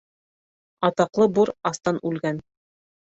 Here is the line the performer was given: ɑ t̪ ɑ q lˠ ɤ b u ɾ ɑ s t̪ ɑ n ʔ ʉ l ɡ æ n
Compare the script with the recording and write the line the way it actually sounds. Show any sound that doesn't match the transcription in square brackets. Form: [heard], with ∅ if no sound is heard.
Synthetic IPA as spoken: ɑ t̪ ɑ q lˠ ɤ b u ɾ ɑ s t̪ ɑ n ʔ ʉ l ɡ æ n

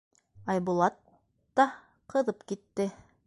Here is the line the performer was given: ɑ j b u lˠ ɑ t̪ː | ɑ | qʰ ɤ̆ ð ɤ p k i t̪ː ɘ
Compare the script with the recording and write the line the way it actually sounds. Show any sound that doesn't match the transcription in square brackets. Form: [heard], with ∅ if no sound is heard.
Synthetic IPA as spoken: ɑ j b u lˠ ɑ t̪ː | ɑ | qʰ ɤ̆ ð ɤ p k i t̪ː ɘ

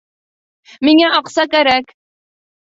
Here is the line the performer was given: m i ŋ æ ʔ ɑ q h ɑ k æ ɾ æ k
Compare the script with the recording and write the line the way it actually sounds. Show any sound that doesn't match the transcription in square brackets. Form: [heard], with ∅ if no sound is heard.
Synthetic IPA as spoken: m i ŋ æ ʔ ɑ q [s] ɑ k æ ɾ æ k

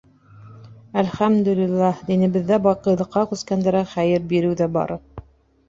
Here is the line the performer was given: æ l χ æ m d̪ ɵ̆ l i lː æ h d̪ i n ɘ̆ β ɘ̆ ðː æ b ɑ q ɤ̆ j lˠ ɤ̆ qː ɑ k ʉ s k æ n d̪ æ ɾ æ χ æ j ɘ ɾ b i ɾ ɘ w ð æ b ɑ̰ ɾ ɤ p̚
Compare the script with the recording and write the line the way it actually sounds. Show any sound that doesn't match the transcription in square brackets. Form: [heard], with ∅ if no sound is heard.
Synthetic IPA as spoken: æ l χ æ m d̪ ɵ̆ l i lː æ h d̪ i n ɘ̆ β ɘ̆ ðː æ b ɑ q ɤ̆ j lˠ ɤ̆ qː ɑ k ʉ s k æ n d̪ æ ɾ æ χ æ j ɘ ɾ b i ɾ ɘ w ð æ b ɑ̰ ɾ ɤ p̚

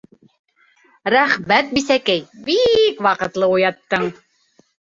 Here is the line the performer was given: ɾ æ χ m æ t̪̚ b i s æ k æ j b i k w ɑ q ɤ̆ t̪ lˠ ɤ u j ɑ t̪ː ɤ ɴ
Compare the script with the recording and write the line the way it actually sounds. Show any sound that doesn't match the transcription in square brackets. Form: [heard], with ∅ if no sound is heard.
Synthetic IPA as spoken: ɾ æ χ m æ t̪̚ b i s æ k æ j b i k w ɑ q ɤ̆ t̪ lˠ ɤ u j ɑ t̪ː ɤ ɴ

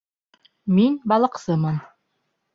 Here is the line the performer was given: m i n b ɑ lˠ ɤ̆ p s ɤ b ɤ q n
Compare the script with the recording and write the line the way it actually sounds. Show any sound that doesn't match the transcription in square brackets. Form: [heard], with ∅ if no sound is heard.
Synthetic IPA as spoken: m i n b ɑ lˠ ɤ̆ [q] s ɤ [m] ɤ [∅] n

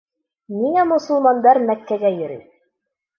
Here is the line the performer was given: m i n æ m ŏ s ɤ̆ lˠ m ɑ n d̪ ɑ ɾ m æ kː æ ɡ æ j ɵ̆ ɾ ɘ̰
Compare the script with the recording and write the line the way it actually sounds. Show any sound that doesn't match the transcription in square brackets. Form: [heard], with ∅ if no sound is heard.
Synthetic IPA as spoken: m i [ŋ] æ m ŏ s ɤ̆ lˠ m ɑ n d̪ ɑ ɾ m æ kː æ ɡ æ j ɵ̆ ɾ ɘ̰

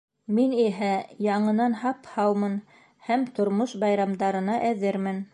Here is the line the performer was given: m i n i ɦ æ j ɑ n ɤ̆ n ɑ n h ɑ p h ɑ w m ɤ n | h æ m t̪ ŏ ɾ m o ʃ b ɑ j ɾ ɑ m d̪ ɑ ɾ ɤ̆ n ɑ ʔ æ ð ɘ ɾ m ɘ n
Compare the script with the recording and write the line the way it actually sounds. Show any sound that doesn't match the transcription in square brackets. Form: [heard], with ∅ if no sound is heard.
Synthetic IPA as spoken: m i n i ɦ æ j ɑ [ɴ] ɤ̆ n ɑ n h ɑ p h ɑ w m ɤ n | h æ m t̪ ŏ ɾ m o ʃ b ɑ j ɾ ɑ m d̪ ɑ ɾ ɤ̆ n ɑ ʔ æ ð ɘ ɾ m ɘ n

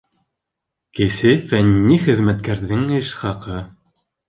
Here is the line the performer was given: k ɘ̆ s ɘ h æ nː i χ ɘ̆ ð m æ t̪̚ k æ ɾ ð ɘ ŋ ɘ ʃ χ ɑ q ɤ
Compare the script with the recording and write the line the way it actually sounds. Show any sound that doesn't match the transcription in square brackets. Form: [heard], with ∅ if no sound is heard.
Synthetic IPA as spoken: k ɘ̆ s ɘ [f] æ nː i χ ɘ̆ ð m æ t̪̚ k æ ɾ ð ɘ ŋ ɘ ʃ χ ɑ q ɤ

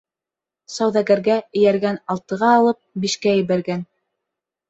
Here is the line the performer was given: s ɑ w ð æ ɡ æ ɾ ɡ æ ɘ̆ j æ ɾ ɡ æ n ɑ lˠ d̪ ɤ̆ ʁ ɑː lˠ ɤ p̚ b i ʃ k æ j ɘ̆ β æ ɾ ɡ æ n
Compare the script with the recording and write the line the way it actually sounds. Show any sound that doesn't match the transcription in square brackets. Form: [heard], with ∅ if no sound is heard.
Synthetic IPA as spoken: s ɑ w ð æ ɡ æ ɾ ɡ æ ɘ̆ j æ ɾ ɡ æ n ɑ lˠ [t̪] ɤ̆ ʁ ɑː lˠ ɤ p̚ b i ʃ k æ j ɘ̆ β æ ɾ ɡ æ n

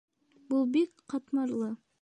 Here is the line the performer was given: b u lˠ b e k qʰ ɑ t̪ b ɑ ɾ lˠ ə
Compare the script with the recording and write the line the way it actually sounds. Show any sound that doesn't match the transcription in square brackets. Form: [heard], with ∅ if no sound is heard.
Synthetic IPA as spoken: b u lˠ b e k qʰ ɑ t̪ [m] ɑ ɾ lˠ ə

